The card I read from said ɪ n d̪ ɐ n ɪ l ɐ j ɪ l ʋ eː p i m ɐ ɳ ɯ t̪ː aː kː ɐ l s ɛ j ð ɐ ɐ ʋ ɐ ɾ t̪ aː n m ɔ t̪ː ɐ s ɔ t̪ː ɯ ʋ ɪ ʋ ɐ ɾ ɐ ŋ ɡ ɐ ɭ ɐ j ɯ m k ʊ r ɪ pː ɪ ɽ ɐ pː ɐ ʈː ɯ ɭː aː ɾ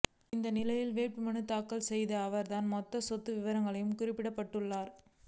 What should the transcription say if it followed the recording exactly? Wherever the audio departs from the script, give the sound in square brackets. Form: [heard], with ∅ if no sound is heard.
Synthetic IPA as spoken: ɪ n d̪ ɐ n ɪ l ɐ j ɪ l ʋ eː p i m ɐ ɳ ɯ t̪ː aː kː ɐ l s ɛ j ð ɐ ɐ ʋ ɐ ɾ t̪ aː n m ɔ t̪ː ɐ s ɔ t̪ː ɯ ʋ ɪ ʋ ɐ ɾ ɐ ŋ ɡ ɐ ɭ ɐ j ɯ m k ʊ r ɪ pː ɪ ɽ ɐ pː ɐ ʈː ɯ ɭː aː ɾ